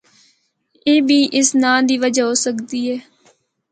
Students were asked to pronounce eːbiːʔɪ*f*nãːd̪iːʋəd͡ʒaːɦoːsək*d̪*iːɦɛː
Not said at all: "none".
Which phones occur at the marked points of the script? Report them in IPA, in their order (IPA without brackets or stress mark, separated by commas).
s, d̪